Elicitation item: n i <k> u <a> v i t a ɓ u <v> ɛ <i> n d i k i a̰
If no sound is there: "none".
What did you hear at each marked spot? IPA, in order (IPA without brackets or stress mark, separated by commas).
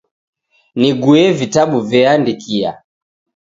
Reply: ɡ, ɛ, v, a